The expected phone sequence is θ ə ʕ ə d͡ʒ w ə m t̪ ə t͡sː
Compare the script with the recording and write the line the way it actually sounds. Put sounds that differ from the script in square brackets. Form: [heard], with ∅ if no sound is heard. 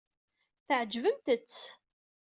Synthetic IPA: θ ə ʕ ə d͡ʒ [v] ə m t̪ ə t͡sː